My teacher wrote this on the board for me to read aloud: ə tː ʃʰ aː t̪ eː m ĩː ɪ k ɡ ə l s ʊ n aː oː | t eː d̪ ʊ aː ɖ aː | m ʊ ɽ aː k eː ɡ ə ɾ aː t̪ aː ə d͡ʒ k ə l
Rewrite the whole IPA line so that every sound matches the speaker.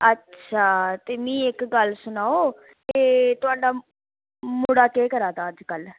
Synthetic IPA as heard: ə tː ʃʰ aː t̪ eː m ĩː ɪ k ɡ ə l s ʊ n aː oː | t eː t̪ ʊ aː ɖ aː | m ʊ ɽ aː k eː k ə ɾ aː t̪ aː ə d͡ʒ k ə l